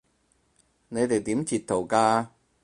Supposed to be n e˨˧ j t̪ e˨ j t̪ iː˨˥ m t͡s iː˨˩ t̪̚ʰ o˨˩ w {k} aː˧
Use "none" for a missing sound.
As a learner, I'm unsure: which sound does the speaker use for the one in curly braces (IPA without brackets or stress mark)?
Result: k